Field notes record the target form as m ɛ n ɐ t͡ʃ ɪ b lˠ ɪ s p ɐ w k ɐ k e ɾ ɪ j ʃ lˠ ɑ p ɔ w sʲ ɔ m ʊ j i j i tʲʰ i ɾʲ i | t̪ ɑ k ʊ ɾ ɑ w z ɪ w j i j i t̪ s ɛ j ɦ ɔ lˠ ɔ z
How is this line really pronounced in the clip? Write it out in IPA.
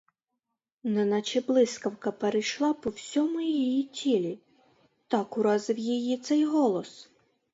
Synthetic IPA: n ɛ n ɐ t͡ʃ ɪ b lˠ ɪ s k ɐ w k ɐ p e ɾ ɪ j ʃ lˠ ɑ p ɔ w sʲ ɔ m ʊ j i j i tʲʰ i lʲ i | t̪ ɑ k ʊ ɾ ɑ z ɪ w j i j i t̪ s ɛ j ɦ ɔ lˠ ɔ s